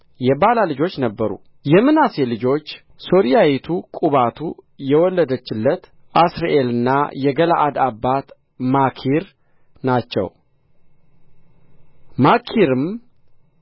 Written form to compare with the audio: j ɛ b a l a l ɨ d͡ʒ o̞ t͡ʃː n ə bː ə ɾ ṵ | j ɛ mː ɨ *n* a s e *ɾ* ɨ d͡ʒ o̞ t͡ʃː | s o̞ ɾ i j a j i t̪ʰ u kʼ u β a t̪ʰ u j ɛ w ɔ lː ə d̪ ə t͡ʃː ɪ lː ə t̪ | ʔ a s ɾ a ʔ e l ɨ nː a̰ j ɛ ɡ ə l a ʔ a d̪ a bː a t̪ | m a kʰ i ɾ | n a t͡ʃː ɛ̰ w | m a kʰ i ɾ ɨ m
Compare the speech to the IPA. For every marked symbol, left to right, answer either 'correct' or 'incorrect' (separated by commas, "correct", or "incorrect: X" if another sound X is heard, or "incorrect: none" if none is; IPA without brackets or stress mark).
correct, incorrect: l